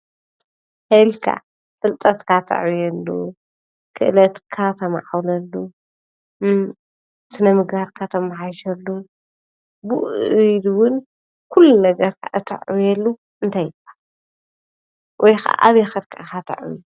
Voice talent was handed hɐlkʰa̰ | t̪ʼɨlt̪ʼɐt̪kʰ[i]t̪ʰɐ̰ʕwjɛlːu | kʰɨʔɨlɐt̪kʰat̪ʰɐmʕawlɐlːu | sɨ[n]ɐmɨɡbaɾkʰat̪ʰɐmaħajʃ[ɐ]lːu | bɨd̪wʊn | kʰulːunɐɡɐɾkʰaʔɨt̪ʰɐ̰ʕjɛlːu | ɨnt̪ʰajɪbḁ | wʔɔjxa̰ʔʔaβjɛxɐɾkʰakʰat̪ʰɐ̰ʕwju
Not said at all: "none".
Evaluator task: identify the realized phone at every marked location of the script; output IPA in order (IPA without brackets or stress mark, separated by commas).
a, n, ɐ